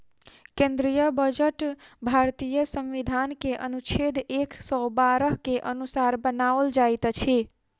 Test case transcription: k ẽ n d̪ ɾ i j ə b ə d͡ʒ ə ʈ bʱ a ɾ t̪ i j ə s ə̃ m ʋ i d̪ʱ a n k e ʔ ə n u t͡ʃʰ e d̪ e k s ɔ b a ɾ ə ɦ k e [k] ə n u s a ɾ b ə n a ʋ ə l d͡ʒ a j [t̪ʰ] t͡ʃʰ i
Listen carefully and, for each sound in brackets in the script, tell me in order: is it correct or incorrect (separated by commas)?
incorrect, incorrect